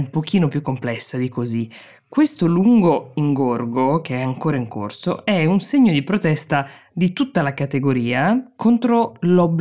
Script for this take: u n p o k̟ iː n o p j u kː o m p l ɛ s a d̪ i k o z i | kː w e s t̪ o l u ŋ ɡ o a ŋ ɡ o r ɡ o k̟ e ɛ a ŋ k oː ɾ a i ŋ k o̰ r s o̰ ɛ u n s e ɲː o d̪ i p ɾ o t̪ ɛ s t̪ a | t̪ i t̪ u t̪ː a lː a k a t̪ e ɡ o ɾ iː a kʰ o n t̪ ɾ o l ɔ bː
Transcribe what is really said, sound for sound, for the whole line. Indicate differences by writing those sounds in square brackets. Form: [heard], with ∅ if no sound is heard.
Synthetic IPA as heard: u [m] p o k̟ iː n o p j u kː o m p l ɛ [sː] a d̪ i k o z i | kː w e s t̪ o l u ŋ ɡ o [i] ŋ ɡ o r ɡ o k̟ e ɛ a ŋ k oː ɾ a i ŋ k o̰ r s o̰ ɛ u n s e ɲː o d̪ i p ɾ o t̪ ɛ s t̪ a | [d̪] i t̪ u t̪ː a [l] a k a t̪ e ɡ o ɾ iː a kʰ o n t̪ ɾ o l ɔ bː